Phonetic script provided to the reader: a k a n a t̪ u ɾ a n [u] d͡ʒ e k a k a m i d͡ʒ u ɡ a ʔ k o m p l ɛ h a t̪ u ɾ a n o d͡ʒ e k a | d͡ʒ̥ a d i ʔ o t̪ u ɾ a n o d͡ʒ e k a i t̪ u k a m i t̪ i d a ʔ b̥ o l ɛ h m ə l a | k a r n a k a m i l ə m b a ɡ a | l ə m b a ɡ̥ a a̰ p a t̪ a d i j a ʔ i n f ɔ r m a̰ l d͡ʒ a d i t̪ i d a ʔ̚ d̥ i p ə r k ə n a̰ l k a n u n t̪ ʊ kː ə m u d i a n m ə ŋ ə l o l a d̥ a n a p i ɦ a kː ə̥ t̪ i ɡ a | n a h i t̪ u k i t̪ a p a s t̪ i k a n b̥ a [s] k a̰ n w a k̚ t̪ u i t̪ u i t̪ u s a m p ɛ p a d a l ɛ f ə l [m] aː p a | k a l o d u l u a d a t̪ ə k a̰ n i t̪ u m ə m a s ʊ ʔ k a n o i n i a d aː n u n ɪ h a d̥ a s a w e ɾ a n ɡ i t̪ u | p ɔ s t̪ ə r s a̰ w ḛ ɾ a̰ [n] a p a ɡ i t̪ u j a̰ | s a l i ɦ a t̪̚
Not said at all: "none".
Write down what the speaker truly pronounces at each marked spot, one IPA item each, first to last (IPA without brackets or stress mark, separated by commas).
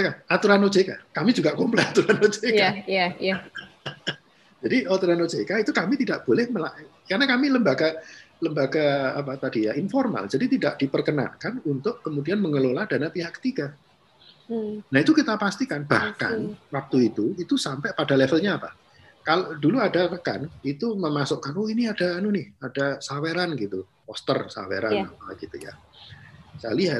o, h, ɲ, n